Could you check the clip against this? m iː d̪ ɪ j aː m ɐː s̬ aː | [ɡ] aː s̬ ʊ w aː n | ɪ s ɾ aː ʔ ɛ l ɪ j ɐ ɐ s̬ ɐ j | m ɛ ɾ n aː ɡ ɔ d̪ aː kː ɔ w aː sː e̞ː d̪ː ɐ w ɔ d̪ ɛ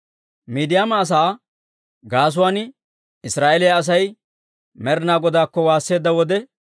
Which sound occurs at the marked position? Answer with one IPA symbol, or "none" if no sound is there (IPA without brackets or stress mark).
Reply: ɡ